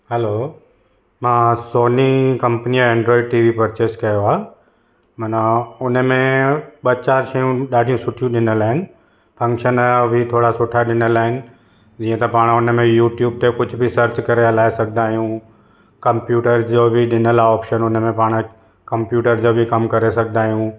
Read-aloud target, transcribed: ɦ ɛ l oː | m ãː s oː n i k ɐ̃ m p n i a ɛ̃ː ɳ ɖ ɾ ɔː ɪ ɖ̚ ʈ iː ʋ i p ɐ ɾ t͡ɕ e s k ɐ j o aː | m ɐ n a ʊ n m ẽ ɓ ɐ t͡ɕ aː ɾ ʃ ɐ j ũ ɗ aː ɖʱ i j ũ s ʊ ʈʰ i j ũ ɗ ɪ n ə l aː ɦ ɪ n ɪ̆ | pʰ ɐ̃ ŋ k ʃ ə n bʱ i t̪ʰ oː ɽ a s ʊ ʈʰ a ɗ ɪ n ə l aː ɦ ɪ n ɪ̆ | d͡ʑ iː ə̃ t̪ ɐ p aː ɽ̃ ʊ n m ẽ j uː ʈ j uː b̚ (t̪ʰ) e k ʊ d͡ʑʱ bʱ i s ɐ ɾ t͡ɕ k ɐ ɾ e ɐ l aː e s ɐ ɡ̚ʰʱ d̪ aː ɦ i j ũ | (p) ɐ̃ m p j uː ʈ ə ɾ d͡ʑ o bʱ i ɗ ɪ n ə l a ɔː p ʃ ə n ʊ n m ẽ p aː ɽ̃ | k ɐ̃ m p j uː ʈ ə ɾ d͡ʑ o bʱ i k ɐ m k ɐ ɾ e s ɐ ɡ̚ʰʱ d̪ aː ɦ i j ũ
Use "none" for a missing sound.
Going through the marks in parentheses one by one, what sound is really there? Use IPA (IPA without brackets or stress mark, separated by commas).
t̪, k